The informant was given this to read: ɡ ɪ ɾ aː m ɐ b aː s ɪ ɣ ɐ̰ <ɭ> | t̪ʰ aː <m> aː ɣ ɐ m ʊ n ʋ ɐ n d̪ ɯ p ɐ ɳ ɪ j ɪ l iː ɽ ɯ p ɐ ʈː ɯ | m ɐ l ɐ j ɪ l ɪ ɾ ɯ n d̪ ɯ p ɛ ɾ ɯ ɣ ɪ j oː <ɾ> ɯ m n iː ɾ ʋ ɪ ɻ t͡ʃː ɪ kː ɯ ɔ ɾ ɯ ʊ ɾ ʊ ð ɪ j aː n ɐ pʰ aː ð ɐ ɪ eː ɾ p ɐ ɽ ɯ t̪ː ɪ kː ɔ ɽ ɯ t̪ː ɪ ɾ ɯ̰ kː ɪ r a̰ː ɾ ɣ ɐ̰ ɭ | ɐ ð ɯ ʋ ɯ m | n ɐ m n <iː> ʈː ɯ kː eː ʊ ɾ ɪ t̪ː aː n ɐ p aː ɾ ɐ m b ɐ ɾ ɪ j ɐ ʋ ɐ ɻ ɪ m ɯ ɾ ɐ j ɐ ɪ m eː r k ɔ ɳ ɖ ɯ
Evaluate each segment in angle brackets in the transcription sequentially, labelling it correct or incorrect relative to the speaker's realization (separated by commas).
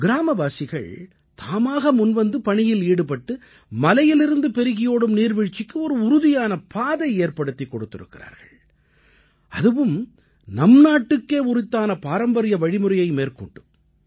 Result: correct, correct, incorrect, incorrect